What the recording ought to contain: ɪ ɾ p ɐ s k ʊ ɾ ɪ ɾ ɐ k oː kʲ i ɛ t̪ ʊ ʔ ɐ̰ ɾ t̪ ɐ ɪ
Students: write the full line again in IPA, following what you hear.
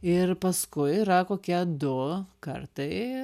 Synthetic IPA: ɪ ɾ p ɐ s k ʊ ɪ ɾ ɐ k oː kʲ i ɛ d̪ ʊ k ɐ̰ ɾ t̪ ɐ ɪ